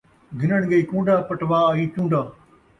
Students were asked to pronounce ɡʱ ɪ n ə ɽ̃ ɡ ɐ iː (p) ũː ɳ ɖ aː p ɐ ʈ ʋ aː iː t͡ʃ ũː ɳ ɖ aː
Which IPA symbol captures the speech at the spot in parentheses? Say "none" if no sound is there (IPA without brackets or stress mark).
k